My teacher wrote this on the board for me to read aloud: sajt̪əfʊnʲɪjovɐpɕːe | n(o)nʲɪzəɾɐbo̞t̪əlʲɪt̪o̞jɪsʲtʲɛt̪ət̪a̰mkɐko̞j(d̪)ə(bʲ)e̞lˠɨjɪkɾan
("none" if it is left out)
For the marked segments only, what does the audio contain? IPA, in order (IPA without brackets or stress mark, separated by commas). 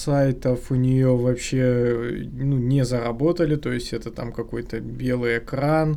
u, t̪, bʲ